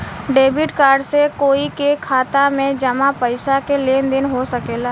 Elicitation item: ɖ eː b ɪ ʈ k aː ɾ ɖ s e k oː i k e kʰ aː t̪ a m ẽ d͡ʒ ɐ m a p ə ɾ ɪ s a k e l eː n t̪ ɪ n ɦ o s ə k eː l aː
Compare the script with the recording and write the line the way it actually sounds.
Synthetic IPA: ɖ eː b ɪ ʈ k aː ɾ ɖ s e k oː i k e kʰ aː t̪ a m ẽ d͡ʒ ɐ m a p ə ɪ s a k e l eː n d̪ ɪ n ɦ o s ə k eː l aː